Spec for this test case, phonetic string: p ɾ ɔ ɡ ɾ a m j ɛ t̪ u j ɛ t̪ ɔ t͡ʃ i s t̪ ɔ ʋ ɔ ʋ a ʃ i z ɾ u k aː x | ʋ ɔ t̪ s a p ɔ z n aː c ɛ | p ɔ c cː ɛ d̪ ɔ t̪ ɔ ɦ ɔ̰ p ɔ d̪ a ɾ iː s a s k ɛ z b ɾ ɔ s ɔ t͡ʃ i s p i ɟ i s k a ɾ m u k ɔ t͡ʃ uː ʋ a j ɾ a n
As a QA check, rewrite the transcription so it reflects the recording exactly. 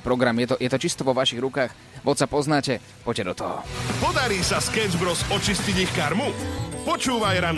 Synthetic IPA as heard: p ɾ ɔ ɡ ɾ a m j ɛ t̪ ɔ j ɛ t̪ ɔ t͡ʃ i s t̪ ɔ ʋ ɔ ʋ a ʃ i ɣ ɾ u k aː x | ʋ ɔ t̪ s a p ɔ z n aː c ɛ | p ɔ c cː ɛ d̪ ɔ t̪ ɔ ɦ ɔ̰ p ɔ d̪ a ɾ iː s a s k ɛ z b ɾ ɔ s ɔ t͡ʃ i s c i ɟ i x k a ɾ m u p ɔ t͡ʃ uː ʋ a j ɾ a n